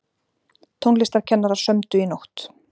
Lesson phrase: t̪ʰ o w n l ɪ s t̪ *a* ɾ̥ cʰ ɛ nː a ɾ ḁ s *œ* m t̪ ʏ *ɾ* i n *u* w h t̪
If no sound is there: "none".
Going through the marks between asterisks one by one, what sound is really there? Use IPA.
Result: a, œ, none, o

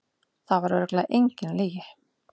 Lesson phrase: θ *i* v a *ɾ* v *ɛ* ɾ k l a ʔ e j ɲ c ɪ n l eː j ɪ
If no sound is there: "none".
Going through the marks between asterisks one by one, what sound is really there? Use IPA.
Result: a, ɾ, ɛ

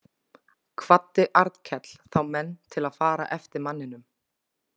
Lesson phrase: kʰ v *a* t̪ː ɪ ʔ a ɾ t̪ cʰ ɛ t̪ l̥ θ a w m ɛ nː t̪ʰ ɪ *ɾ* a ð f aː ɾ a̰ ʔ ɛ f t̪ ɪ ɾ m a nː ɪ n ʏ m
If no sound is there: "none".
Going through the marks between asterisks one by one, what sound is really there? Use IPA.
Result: a, l

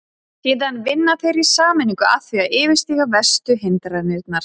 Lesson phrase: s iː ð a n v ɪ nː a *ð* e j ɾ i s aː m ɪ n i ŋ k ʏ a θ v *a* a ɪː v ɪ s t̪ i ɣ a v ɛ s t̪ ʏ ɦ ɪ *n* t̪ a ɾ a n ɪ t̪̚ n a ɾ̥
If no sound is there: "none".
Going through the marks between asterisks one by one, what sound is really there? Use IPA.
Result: θ, i, n

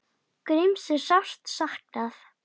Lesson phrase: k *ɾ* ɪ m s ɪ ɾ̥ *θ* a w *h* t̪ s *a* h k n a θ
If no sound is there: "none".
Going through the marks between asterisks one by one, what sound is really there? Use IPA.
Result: ɾ, s, s, a

